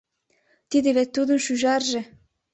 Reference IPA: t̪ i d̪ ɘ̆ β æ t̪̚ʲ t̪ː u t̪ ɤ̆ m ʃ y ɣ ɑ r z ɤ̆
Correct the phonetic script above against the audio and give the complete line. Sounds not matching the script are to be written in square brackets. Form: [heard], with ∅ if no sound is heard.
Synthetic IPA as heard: t̪ i d̪ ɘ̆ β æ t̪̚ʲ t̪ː u [d̪] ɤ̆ [n] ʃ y [ʒ] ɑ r [ʒ] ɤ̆